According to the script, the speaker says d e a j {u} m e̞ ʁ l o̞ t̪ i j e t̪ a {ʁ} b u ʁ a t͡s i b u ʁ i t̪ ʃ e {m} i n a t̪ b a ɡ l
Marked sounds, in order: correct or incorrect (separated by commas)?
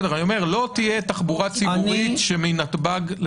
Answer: incorrect, incorrect, correct